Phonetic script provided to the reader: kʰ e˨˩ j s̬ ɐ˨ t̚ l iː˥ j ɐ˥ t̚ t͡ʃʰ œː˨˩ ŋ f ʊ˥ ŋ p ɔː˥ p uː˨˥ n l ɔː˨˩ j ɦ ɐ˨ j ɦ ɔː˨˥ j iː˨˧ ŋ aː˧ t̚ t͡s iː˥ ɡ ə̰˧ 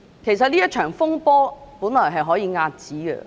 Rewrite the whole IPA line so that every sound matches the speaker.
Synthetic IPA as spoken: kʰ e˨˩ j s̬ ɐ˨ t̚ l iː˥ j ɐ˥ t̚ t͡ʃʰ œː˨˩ ŋ f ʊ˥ ŋ p ɔː˥ p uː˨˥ n l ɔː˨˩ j ɦ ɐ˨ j ɦ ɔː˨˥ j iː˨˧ ŋ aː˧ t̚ t͡s iː˨˥ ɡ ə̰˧

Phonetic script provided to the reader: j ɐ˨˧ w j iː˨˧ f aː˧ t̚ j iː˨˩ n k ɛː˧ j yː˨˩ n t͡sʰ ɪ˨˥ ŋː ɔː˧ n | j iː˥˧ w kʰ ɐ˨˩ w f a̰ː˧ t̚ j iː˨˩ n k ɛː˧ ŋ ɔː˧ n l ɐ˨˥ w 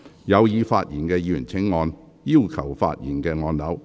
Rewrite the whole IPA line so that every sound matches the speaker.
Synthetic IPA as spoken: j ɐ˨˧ w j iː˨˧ f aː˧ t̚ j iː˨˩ n k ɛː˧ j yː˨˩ n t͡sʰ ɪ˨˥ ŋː ɔː˧ n | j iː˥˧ w kʰ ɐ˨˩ w f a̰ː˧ t̚ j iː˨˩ n k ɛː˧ ŋ ɔː˧ n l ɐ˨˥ w

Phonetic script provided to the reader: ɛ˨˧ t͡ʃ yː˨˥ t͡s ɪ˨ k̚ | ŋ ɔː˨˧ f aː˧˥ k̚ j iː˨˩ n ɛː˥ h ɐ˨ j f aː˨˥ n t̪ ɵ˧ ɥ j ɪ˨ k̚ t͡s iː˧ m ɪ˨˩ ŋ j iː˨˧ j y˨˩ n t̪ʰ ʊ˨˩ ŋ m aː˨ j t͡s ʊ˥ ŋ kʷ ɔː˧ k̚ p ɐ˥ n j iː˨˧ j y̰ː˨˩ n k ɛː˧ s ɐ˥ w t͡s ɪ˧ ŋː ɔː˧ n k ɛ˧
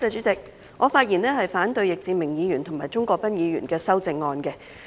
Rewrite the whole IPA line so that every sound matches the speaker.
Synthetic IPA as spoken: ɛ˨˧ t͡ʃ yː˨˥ t͡s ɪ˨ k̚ | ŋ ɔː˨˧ f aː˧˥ t̚ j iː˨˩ n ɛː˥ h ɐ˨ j f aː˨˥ n t̪ ɵ˧ ɥ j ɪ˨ k̚ t͡s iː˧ m ɪ˨˩ ŋ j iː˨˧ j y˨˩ n t̪ʰ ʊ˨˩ ŋ m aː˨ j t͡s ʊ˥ ŋ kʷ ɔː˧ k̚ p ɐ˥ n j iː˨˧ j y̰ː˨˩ n k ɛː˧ s ɐ˥ w t͡s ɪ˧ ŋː ɔː˧ n k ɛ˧

